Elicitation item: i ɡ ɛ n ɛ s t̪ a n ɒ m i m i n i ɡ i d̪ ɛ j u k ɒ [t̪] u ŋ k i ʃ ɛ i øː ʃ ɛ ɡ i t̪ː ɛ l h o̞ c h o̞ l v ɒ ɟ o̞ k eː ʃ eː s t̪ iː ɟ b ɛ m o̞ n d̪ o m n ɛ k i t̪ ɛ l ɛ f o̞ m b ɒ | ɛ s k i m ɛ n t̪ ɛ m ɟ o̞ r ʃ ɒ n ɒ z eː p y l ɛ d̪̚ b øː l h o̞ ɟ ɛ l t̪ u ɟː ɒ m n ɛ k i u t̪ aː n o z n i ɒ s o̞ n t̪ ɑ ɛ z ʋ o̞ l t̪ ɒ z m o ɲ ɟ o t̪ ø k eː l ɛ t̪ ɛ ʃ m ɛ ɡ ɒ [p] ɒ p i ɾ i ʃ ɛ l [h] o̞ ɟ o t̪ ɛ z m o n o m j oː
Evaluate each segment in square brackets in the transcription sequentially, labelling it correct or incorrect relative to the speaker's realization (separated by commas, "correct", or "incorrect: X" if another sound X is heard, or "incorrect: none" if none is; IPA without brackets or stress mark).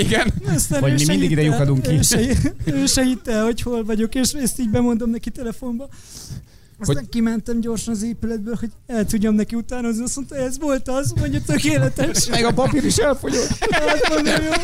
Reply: incorrect: d̪, correct, incorrect: f